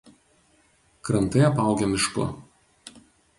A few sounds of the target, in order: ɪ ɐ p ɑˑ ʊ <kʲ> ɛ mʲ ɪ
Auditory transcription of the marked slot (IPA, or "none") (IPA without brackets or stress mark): ɡʲ